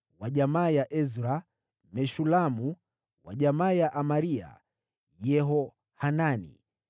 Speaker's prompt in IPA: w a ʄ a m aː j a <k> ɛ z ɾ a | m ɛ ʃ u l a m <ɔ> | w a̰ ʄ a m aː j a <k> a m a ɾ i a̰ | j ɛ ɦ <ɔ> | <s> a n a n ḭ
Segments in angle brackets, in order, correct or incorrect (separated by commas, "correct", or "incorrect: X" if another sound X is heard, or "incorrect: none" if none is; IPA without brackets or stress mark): incorrect: ʔ, incorrect: u, incorrect: ʔ, correct, incorrect: h